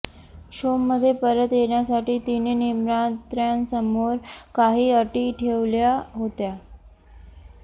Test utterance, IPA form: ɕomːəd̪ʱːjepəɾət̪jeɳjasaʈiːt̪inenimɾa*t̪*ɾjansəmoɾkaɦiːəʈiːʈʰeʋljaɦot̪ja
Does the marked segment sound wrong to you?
no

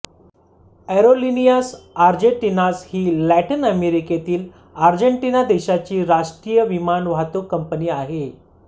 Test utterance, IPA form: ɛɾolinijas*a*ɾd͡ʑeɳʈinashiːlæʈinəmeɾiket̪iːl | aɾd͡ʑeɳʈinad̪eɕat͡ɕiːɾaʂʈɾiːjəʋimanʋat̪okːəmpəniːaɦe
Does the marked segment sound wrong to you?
no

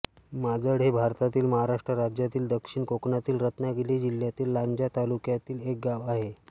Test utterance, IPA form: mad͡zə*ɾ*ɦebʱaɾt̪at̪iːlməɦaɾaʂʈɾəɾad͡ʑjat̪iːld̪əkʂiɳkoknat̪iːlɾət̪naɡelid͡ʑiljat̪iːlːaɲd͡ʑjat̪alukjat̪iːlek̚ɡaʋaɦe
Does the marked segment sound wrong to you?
yes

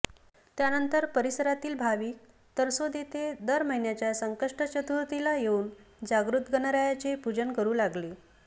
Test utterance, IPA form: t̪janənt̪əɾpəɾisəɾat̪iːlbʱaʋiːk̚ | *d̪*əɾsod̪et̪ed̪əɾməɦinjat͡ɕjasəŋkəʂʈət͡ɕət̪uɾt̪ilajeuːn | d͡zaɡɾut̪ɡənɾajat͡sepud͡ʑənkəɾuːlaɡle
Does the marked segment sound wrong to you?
yes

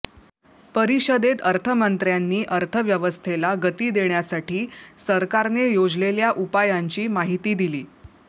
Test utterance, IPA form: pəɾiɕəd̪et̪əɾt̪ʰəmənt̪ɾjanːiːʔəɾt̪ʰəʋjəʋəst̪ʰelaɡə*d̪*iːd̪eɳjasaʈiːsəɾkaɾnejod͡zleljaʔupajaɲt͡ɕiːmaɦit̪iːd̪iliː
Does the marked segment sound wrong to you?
yes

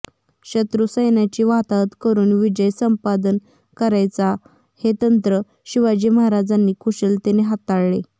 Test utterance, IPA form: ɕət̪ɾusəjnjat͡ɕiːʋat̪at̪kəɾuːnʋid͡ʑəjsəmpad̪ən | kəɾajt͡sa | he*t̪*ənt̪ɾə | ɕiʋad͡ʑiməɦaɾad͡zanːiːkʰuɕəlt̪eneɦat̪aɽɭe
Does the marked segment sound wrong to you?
no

